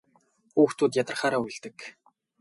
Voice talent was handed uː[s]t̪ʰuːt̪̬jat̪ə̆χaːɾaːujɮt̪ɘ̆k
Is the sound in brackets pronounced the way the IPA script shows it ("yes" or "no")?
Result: no